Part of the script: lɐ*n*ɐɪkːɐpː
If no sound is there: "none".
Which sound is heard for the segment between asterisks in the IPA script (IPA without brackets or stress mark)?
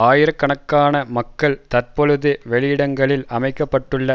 m